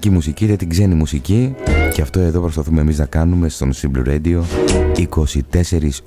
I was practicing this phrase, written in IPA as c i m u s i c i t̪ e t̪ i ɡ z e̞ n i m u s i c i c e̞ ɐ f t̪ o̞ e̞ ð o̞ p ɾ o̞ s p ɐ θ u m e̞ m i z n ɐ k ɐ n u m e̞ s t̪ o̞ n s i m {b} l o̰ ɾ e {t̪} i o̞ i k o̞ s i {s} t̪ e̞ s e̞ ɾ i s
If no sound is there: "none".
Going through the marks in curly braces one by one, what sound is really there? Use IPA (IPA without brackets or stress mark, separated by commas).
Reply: b, d̪, none